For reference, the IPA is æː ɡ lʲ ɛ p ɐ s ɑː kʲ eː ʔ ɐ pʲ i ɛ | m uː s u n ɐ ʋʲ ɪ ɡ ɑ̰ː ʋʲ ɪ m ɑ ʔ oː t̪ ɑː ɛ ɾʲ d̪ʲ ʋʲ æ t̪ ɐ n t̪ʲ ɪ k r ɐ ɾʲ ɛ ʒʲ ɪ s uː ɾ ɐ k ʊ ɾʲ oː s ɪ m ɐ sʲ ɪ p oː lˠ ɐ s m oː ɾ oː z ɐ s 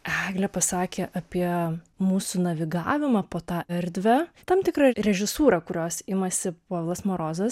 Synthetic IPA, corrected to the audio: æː ɡ lʲ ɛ p ɐ s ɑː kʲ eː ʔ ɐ pʲ i ɛ | m uː s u n ɐ ʋʲ ɪ ɡ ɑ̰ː ʋʲ ɪ m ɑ p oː t̪ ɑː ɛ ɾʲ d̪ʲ ʋʲ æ t̪ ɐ m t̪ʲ ɪ k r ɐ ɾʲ ɛ ʒʲ ɪ s uː ɾ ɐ k ʊ ɾʲ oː s ɪ m ɐ sʲ ɪ p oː lˠ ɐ s m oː ɾ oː z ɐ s